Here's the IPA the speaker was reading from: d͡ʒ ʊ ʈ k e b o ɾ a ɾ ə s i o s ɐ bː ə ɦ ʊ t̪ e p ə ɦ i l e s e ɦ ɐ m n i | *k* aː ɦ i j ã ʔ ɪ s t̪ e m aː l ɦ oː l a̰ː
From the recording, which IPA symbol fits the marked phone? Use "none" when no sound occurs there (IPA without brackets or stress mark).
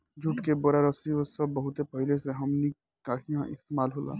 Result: k